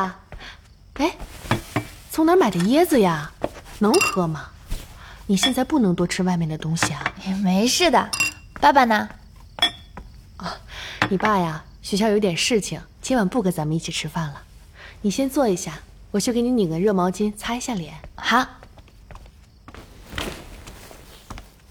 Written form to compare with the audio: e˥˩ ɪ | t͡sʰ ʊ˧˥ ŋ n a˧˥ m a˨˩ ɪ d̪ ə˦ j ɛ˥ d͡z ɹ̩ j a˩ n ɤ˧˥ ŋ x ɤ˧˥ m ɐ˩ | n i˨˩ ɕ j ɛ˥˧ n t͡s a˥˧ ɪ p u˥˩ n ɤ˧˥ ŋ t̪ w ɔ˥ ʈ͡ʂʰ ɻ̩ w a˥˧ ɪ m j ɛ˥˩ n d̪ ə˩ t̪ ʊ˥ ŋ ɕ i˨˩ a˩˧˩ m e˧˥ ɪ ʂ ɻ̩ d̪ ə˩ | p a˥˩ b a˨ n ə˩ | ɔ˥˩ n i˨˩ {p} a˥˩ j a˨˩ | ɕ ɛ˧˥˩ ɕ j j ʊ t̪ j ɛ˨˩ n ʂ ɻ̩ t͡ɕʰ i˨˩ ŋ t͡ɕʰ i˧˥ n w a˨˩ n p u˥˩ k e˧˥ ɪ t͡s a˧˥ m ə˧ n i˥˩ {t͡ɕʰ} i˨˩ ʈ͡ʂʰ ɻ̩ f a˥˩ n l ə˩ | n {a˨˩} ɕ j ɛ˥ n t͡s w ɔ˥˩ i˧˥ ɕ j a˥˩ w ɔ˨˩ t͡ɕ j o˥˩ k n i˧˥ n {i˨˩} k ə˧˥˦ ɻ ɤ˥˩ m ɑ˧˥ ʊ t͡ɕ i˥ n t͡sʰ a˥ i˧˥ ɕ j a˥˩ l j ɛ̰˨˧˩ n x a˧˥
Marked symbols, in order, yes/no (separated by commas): yes, yes, no, yes